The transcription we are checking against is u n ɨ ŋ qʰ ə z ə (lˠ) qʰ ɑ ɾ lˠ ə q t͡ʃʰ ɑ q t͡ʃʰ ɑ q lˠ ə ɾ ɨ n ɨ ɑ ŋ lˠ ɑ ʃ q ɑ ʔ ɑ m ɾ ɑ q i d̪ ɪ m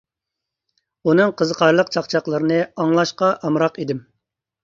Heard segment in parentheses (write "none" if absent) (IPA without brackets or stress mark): none